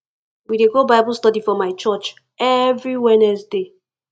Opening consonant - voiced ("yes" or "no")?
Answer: yes